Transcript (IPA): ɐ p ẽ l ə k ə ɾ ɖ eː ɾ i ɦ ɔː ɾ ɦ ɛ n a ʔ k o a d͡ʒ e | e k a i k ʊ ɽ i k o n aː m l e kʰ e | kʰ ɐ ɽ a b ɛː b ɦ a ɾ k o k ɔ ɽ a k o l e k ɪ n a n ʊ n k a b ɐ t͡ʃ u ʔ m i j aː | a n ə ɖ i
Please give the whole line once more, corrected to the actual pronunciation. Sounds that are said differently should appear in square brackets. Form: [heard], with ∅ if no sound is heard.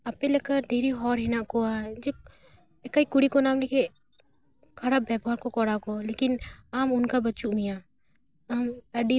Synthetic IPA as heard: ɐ p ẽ l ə k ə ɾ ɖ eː ɾ i ɦ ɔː ɾ ɦ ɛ n a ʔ k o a d͡ʒ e | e k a i k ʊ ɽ i k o n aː m l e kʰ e | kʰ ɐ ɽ a b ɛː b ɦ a ɾ k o k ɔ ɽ a k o l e k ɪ n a [m] ʊ n k a b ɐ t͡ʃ u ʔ m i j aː | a [m] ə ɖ i